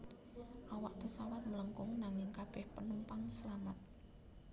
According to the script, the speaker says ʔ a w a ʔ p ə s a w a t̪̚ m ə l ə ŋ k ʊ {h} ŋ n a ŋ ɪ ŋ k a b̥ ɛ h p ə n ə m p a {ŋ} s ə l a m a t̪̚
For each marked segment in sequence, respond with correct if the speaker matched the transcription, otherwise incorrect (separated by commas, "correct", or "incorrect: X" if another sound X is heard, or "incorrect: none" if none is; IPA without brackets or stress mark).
incorrect: none, correct